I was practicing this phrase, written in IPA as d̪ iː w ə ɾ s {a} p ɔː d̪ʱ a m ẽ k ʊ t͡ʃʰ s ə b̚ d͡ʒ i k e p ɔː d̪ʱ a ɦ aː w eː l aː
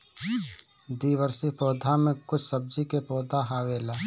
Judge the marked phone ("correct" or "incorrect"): incorrect